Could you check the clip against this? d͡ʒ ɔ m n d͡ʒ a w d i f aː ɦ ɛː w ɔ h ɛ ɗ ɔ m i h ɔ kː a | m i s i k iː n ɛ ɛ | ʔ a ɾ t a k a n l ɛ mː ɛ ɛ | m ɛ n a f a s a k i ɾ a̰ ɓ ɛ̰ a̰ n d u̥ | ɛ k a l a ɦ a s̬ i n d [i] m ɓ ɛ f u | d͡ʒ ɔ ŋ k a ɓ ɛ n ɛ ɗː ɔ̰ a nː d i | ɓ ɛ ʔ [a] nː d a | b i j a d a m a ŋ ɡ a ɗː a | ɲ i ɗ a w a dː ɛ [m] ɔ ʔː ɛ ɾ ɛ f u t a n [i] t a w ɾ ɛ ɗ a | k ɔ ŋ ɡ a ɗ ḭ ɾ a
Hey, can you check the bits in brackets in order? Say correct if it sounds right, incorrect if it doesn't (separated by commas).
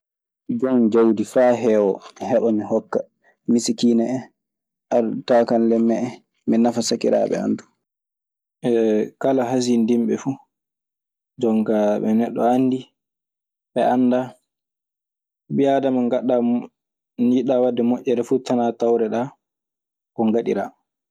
correct, correct, correct, incorrect